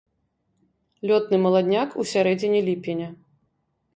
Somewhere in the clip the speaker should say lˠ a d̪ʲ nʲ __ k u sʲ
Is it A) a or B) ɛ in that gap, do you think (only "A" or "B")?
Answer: A